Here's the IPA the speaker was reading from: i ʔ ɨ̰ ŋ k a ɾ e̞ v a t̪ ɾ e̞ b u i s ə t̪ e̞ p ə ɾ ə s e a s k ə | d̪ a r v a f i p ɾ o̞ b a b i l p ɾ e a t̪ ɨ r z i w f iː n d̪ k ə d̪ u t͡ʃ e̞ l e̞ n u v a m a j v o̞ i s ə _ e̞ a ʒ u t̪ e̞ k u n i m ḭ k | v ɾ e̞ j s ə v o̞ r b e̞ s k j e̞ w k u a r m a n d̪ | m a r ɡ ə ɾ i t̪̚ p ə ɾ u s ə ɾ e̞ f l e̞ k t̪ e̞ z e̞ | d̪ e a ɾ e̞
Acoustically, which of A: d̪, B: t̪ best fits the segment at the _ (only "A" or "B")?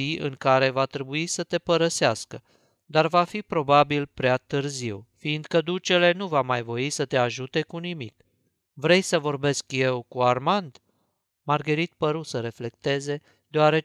B